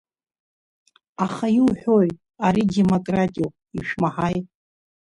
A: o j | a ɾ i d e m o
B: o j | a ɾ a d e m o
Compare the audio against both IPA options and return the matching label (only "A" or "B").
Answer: A